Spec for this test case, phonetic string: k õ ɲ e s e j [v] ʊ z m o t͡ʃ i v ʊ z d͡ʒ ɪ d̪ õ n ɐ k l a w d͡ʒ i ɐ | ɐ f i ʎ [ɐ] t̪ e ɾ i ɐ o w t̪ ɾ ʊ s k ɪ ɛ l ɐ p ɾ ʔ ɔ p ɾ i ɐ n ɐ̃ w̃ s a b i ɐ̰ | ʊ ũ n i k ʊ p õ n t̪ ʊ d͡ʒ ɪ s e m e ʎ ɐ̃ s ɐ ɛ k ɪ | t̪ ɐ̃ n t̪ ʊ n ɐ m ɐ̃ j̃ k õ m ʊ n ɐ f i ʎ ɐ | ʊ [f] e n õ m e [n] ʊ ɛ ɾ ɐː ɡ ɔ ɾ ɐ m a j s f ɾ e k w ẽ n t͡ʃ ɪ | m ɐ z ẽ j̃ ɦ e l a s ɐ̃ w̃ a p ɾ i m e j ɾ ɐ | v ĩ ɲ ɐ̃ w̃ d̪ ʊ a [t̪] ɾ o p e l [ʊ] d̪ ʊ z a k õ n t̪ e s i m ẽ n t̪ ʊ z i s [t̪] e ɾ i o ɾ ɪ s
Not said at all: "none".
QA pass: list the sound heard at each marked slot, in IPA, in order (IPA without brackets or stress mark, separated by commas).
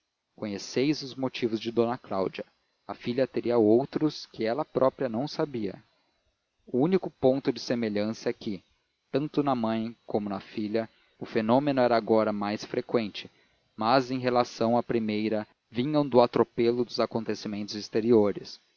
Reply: z, ɐ, f, n, t̪, ʊ, t̪